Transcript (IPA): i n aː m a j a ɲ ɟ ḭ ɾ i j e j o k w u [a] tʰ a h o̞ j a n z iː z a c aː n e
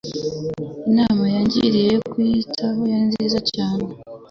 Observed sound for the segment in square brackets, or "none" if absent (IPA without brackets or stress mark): i